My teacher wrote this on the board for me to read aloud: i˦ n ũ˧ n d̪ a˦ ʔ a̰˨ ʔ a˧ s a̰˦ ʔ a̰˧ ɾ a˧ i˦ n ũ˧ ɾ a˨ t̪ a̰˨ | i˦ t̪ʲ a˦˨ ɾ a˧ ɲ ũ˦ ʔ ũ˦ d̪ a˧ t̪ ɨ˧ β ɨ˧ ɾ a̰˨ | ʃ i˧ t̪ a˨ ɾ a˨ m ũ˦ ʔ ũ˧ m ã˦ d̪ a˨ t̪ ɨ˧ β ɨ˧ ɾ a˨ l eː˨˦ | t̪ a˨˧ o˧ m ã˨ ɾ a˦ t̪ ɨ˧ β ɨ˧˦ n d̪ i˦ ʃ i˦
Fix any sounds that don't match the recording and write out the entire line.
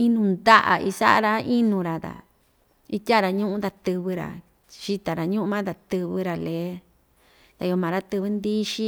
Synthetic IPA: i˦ n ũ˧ n d̪ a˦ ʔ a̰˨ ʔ i˧ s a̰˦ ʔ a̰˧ ɾ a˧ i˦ n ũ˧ ɾ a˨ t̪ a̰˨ | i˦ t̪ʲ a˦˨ ɾ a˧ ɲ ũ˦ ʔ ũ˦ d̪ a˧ t̪ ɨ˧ β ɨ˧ ɾ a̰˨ | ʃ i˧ t̪ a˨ ɾ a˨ ɲ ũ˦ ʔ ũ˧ m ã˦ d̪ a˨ t̪ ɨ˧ β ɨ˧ ɾ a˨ l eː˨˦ | t̪ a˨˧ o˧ m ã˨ ɾ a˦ t̪ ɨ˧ β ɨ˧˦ n d̪ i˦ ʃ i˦